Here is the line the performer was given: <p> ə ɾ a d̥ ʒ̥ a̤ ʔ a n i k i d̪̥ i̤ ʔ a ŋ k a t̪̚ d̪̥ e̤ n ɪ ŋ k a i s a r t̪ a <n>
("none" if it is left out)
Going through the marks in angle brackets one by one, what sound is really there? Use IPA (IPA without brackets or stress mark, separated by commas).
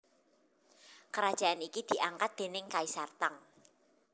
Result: k, ŋ